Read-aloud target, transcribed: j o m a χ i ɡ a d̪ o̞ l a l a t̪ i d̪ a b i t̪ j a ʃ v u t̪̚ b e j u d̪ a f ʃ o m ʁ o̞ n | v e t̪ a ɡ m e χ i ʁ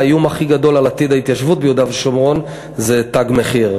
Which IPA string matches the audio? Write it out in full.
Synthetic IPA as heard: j u m a χ i ɡ a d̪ o̞ l a l a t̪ i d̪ a i t̪ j a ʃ v u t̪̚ b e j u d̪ a v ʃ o m ʁ o̞ n | z e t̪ a ɡ m e χ i ʁ